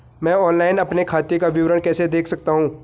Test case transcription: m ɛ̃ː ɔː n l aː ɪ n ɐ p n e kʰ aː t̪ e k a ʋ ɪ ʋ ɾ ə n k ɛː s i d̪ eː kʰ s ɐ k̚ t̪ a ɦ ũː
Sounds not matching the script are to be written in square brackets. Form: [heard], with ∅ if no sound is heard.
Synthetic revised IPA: m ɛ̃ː ɔː n l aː ɪ n ɐ p n e kʰ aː t̪ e k a ʋ ɪ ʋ ɾ ə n k ɛː s [e] d̪ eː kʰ s ɐ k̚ t̪ a ɦ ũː